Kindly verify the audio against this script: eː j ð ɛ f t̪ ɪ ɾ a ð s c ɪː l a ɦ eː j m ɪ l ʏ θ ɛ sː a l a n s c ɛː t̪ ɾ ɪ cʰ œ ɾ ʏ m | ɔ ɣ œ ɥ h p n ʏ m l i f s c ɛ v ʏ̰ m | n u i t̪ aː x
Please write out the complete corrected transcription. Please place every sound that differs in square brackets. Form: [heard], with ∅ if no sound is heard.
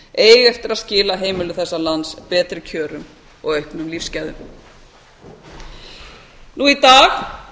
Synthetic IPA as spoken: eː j [ɣ] ɛ f t̪ ɪ ɾ a ð s c ɪː l a ɦ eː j m ɪ l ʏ θ ɛ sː a l a n s [p] ɛː t̪ ɾ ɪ cʰ [œː] ɾ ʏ m | ɔ ɣ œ ɥ h p n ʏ m l i f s c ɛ [ð] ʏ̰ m | n u i t̪ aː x

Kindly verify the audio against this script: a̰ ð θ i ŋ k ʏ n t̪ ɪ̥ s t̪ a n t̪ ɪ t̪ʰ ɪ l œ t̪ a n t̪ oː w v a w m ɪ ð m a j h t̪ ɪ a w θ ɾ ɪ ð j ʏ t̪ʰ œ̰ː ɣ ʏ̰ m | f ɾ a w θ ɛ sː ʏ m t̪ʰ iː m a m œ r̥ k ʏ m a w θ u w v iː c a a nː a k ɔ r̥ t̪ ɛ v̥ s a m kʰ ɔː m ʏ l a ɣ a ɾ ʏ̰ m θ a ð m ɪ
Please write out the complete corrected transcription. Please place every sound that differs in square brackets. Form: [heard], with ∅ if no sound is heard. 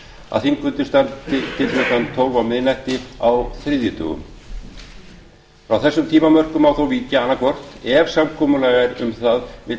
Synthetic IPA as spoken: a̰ ð θ i ŋ k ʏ n t̪ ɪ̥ s t̪ a n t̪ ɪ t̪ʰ ɪ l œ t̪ a n [t̪ʰ] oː w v a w m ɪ ð [n] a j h t̪ ɪ a w θ ɾ ɪ ð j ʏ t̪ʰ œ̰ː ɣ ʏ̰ m | f ɾ a w θ ɛ sː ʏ m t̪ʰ iː m a m œ r̥ k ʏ m a w θ [o] w v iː c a a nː a k ɔ r̥ t̪ ɛ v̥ s a m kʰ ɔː m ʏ l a ɣ a ɾ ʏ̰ m θ a ð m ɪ

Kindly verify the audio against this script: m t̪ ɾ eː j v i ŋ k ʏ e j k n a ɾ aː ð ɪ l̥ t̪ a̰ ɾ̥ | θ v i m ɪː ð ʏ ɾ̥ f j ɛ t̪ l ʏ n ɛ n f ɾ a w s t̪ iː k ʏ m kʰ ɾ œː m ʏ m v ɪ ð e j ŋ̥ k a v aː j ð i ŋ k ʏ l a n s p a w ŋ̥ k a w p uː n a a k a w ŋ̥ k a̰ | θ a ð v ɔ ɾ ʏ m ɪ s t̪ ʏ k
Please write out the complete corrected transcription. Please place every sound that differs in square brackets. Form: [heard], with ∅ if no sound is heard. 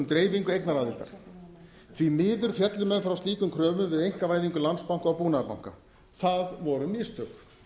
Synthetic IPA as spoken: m t̪ ɾ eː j v i ŋ k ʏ e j k n a ɾ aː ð ɪ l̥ t̪ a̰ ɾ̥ | θ v i m ɪː ð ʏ ɾ̥ f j ɛ t̪ l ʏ [m] ɛ n f ɾ a w s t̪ iː k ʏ m kʰ ɾ œː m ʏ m v ɪ ð e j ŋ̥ k a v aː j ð i ŋ k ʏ l a n s p a w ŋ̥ k a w p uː n a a [p] a w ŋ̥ k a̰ | θ a ð v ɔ ɾ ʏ m ɪ s t̪ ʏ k

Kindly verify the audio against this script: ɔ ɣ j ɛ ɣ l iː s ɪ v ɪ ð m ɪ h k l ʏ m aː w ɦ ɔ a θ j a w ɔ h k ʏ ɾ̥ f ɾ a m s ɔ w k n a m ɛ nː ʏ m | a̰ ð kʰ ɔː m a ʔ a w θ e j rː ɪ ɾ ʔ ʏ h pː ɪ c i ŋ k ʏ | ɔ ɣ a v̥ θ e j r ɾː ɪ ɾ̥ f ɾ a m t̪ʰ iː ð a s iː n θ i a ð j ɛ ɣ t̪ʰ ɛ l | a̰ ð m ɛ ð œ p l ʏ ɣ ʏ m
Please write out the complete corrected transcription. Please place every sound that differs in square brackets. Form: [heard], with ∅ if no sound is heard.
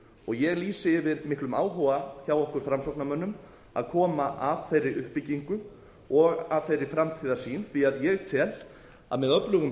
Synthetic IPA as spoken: ɔ ɣ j ɛ ɣ l iː s ɪ v ɪ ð m ɪ h k l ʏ m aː w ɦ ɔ a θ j a w ɔ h k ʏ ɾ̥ f ɾ a m s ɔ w k n a m [œ] nː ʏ m | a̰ ð kʰ ɔː m a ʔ a [v] θ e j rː ɪ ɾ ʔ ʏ h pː ɪ c i ŋ k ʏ | ɔ ɣ a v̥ θ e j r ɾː ɪ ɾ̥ f ɾ a m t̪ʰ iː ð a s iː n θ i a ð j ɛ ɣ t̪ʰ ɛ l | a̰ ð m ɛ ð œ p l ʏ ɣ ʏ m

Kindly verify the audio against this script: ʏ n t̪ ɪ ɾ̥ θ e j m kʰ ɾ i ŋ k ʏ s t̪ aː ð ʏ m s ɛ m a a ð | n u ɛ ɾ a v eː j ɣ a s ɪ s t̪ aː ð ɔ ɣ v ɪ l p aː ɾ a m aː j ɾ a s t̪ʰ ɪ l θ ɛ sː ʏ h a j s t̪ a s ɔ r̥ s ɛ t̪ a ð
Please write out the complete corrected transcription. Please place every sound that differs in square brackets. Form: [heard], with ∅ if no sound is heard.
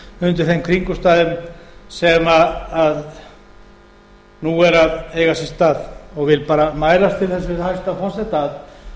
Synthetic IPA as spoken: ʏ n t̪ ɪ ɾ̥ θ e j m kʰ ɾ i ŋ k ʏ s t̪ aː ð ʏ m s ɛ m a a ð | n u ɛ ɾ a [ð] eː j ɣ a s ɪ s t̪ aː ð ɔ ɣ v ɪ l p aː ɾ a m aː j ɾ a s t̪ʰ ɪ l θ ɛ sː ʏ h a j s t̪ a [f] ɔ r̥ s ɛ t̪ a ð

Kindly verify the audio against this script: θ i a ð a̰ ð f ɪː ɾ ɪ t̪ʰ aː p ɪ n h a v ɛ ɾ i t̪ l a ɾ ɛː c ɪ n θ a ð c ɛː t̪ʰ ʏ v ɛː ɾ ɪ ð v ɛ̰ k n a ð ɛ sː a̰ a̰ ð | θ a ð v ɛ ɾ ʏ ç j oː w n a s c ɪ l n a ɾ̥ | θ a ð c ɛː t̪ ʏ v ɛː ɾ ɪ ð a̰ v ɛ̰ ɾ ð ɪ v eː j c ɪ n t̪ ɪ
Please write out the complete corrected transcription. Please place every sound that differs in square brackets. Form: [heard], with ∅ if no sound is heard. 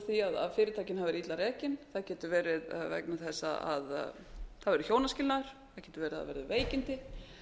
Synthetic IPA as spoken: θ i a ð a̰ ð f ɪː ɾ ɪ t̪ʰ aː [c] ɪ n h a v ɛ ɾ i t̪ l a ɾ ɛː c ɪ n θ a ð c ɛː [t̪] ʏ v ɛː ɾ ɪ ð v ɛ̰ k n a [θ] ɛ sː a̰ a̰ ð | θ a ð v ɛ ɾ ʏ ç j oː w n a s c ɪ l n a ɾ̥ | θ a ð c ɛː t̪ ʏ v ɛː ɾ ɪ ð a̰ v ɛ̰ ɾ ð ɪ v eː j c ɪ n t̪ ɪ

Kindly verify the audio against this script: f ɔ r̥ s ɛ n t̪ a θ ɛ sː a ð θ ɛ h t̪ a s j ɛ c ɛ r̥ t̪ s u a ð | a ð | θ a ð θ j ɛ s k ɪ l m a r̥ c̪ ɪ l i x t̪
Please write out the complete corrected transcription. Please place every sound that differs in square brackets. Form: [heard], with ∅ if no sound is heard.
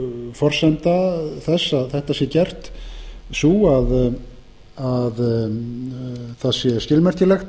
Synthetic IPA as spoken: f ɔ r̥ s ɛ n t̪ a θ ɛ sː a ð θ ɛ h t̪ a s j ɛ c ɛ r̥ t̪ s u a ð | a ð | θ a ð [s] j ɛ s [c] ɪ l m [ɛ] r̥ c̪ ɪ l [ɛ] x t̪

